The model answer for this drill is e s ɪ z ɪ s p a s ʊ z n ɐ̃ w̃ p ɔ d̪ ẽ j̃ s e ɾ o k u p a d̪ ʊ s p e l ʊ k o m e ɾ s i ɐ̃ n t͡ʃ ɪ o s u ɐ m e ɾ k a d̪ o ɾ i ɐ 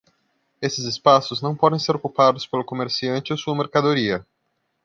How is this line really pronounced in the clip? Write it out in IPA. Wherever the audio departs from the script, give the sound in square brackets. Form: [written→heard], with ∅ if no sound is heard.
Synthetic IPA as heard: e s ɪ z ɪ s p a s ʊ z n ɐ̃ w̃ p ɔ d̪ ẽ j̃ s e ɾ o k u p a d̪ ʊ s p e l ʊ k o m e ɾ s i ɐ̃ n t͡ʃ ɪ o s u ɐ m e ɾ k a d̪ o ɾ i ɐ